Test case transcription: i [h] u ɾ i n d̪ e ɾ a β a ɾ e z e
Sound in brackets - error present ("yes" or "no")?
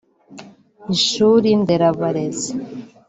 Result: yes